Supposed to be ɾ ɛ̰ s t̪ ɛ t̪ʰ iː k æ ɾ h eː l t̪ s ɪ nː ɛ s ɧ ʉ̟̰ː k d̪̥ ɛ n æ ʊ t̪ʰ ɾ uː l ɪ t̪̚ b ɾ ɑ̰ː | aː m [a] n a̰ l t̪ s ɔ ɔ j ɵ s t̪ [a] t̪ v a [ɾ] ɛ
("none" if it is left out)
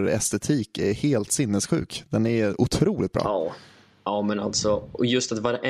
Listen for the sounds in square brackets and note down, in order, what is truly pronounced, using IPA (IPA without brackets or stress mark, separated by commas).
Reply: ɛ, a, ɾ